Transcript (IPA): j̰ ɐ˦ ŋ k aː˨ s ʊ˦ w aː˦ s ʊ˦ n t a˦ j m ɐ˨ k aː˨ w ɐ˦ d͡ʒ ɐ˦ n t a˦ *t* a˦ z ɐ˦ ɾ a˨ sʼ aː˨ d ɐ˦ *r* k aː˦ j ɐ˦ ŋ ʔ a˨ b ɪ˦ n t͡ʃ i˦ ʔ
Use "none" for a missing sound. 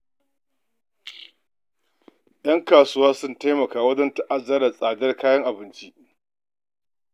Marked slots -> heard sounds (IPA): ʔ, r

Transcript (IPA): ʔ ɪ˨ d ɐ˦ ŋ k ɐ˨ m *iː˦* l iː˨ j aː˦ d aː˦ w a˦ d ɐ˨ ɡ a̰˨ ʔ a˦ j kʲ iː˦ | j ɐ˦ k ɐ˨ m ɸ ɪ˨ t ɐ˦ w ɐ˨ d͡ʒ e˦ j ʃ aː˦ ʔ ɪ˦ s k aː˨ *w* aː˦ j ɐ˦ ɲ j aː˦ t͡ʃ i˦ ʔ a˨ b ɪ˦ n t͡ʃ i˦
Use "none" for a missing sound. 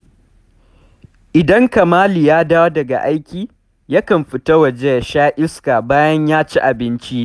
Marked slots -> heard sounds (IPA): aː˦, b

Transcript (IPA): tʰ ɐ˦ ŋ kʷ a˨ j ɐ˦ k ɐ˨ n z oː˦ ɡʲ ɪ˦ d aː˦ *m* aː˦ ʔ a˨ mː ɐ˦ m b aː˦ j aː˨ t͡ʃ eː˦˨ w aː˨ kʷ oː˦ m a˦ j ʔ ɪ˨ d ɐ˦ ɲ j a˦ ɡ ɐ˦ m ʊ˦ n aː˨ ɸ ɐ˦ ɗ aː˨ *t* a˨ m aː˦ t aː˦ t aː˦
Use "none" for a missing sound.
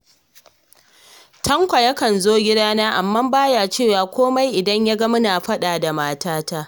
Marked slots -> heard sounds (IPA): n, d

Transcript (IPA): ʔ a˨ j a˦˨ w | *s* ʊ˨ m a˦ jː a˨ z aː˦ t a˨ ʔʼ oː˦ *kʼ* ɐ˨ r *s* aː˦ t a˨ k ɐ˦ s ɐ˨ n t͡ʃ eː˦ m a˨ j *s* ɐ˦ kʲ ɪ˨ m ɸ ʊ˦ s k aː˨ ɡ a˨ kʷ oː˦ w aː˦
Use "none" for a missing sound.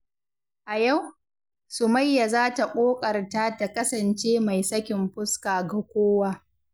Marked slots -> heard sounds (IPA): s, kʼ, t, s

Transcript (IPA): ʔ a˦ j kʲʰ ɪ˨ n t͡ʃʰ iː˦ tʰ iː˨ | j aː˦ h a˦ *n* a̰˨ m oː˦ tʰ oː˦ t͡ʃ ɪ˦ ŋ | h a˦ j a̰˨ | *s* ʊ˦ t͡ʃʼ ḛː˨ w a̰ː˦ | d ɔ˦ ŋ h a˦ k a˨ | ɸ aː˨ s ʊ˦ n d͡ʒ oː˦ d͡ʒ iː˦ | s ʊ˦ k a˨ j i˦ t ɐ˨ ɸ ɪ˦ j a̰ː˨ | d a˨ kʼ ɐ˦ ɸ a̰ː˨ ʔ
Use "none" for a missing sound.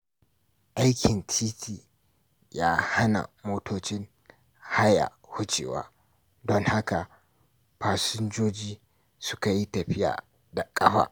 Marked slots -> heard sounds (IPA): n, h

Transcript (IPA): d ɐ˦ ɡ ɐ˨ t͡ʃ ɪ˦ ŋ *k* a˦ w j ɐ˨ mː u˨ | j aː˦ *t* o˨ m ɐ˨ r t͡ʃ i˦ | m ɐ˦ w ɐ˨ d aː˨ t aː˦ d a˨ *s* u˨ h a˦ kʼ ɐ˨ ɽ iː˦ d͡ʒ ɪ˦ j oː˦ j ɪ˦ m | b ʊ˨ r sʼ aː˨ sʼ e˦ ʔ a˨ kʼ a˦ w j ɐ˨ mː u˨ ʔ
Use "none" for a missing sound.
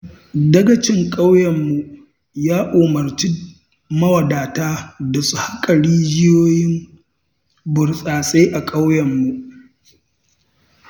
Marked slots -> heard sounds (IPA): kʼ, ʔ, s

